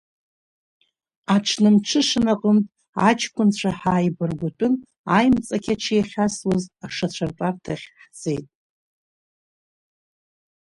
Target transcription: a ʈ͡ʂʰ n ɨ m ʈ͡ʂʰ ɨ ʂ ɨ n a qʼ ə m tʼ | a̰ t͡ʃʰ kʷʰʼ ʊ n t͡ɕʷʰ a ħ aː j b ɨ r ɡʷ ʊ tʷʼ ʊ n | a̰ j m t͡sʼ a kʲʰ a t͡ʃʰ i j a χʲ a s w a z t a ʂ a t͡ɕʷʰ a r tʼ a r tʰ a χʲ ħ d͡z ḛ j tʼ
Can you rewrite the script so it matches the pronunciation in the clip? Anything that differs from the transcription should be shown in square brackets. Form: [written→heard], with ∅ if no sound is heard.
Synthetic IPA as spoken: a ʈ͡ʂʰ n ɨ m ʈ͡ʂʰ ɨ ʂ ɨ n a qʼ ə m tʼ | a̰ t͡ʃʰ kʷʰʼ ʊ n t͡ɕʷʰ a ħ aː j b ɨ r ɡʷ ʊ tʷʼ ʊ n | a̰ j m t͡sʼ a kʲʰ a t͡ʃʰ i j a χʲ a s w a z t a ʂ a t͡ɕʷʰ a r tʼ a r tʰ a χʲ ħ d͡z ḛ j tʼ